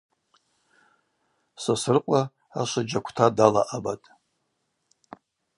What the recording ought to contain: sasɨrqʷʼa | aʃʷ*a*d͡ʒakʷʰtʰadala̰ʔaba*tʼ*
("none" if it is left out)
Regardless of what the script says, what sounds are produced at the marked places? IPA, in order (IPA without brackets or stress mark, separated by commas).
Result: a, tʼ